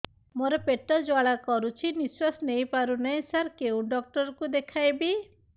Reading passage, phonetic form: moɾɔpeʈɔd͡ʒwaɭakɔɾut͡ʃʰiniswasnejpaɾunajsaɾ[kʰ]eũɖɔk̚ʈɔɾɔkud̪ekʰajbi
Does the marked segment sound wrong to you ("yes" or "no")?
yes